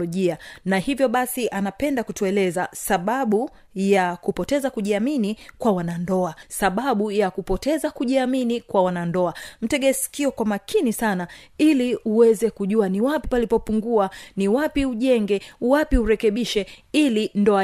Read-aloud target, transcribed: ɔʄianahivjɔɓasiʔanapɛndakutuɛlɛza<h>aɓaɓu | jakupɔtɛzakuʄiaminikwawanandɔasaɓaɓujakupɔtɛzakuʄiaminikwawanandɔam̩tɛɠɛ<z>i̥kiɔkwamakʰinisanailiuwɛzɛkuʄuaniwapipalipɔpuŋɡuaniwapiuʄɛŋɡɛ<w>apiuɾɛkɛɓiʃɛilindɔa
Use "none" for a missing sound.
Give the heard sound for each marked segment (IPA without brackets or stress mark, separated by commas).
s, s, w